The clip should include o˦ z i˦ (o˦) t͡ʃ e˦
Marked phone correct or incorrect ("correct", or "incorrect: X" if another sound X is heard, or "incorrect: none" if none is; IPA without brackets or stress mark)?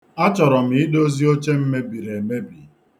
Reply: correct